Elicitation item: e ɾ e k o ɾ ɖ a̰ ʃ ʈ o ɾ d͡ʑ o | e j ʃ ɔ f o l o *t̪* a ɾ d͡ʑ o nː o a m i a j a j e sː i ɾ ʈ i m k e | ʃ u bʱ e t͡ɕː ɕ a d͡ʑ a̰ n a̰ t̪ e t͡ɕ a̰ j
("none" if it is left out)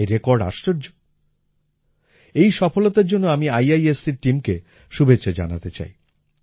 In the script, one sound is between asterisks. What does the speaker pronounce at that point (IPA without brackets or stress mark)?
t̪